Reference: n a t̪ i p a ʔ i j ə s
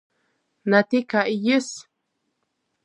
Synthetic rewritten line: n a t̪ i k a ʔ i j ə s